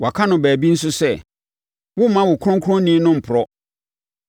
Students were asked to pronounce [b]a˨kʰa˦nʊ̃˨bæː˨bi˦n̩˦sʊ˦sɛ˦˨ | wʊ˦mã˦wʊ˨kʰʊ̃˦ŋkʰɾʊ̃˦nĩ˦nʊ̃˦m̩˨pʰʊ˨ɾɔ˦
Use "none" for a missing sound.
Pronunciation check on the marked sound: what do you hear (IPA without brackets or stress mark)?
w